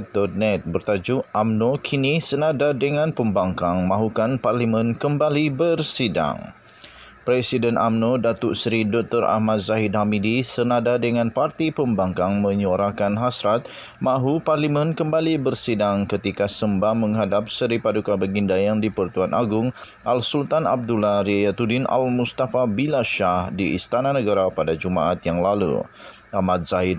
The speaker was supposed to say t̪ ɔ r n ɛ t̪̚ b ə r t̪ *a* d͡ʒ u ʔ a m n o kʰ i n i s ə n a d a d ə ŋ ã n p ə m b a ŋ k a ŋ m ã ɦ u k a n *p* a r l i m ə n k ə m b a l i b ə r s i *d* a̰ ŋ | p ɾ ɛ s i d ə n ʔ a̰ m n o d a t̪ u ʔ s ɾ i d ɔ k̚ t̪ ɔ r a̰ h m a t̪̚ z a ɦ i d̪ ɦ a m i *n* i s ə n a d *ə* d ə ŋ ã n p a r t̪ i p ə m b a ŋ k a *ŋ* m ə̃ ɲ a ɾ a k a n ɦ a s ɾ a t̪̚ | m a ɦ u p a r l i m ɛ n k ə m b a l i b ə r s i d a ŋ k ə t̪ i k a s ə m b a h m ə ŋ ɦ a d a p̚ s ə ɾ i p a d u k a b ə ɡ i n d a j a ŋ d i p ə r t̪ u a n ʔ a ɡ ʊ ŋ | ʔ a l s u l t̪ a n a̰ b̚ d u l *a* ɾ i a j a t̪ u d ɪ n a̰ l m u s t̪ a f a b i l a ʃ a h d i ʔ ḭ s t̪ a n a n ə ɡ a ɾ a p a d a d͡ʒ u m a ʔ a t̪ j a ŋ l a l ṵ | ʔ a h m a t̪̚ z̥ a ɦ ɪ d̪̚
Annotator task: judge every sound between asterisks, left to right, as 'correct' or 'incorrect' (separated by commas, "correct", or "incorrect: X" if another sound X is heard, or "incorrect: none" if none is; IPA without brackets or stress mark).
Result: correct, correct, correct, incorrect: d, incorrect: a, correct, correct